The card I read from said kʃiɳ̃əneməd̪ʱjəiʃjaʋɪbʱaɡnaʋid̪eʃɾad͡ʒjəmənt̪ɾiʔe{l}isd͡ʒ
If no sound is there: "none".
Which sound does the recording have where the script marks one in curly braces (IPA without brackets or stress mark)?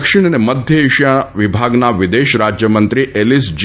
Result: l